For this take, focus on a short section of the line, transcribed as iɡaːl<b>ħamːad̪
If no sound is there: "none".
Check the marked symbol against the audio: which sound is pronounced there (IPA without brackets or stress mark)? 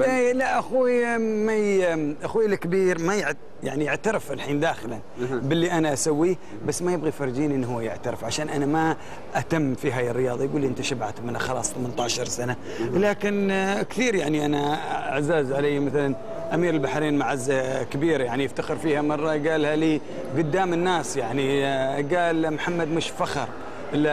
m